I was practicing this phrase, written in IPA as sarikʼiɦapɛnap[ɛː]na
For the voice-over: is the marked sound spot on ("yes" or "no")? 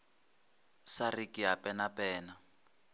yes